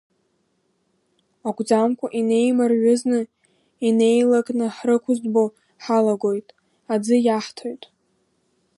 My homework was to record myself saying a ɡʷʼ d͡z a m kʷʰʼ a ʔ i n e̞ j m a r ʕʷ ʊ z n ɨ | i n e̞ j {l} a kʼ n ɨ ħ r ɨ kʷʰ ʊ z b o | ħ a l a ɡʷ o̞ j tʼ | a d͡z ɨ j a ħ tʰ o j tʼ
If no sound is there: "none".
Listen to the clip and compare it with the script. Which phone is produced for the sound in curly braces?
l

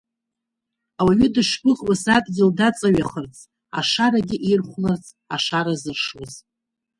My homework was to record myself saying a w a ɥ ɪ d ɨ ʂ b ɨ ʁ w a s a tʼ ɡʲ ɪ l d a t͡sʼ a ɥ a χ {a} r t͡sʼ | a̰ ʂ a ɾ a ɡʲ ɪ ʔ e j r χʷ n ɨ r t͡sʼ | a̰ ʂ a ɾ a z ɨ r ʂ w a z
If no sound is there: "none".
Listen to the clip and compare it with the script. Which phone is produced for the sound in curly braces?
ə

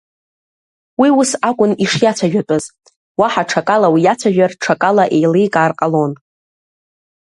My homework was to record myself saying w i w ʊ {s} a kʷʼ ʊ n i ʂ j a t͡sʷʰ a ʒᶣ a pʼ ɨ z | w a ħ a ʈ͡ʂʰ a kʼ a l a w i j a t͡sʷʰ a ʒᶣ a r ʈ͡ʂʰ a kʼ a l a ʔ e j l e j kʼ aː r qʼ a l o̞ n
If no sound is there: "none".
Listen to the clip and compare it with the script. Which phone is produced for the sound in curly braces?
s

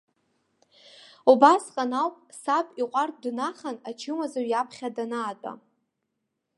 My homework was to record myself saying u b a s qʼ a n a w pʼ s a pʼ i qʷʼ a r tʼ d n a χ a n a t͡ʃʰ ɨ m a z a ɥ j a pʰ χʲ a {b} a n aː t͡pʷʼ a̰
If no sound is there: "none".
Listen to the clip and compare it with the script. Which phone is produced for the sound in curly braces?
d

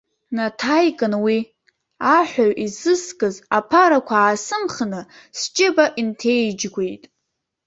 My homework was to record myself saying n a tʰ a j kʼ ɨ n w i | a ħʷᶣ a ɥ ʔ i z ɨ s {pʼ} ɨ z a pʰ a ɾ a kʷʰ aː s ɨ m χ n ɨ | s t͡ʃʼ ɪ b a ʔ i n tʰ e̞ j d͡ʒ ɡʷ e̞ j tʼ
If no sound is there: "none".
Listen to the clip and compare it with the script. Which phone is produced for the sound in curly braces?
kʼ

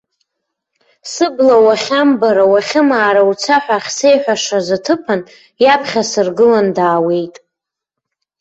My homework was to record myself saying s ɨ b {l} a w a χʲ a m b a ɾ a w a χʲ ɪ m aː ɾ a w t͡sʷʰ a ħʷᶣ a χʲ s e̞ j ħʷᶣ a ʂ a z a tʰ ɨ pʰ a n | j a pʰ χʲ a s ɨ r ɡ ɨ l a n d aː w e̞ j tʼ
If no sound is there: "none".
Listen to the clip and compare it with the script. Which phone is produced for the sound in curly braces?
l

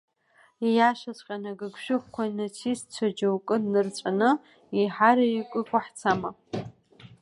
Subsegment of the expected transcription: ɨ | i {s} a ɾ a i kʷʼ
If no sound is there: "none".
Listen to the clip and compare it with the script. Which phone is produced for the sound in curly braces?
ħ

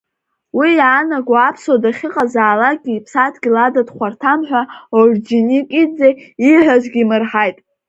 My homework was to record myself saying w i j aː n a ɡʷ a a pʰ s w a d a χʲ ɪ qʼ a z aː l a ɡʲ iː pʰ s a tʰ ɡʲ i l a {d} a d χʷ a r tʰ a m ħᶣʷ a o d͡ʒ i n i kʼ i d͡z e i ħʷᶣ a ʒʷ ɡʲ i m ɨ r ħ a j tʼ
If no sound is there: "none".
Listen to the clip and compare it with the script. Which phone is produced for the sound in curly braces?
d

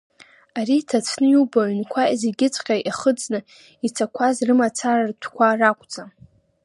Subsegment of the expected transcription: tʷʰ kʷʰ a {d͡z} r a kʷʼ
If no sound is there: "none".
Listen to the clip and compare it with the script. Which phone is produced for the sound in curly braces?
none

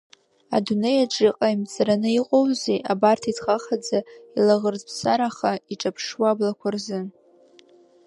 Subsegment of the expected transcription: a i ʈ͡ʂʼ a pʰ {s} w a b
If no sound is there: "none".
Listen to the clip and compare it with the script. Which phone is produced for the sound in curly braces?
ʂ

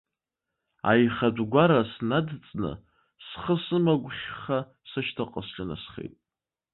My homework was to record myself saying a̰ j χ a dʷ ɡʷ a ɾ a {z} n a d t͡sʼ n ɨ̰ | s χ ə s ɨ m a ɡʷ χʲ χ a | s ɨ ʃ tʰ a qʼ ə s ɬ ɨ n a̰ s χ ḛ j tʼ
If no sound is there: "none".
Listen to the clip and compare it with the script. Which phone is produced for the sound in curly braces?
s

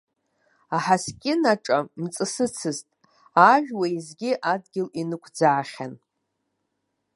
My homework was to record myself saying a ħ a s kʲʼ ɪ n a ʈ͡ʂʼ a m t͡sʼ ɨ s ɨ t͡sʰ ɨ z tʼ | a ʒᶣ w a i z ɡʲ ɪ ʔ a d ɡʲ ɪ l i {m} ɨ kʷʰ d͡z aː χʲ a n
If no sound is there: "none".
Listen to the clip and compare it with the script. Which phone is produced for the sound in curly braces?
n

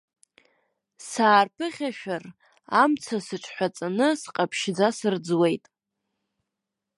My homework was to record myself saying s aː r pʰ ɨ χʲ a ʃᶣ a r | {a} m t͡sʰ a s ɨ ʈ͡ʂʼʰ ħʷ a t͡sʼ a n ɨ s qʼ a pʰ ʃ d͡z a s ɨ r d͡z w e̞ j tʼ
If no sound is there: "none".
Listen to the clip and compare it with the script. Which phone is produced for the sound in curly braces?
a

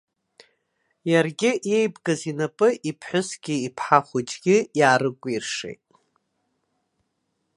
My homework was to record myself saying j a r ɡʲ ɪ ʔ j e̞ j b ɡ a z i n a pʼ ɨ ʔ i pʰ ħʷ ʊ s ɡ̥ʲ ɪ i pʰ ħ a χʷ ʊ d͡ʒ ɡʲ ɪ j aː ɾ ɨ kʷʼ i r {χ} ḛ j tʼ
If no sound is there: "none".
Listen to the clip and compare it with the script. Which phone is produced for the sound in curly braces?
ʂ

